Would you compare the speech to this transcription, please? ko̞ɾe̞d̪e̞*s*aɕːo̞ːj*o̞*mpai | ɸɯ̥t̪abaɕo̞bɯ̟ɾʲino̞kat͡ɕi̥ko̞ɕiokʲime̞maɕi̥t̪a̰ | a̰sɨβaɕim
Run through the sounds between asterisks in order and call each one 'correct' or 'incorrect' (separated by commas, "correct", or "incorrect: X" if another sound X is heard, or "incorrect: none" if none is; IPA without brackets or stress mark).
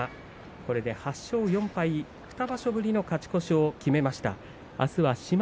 incorrect: h, incorrect: õ̞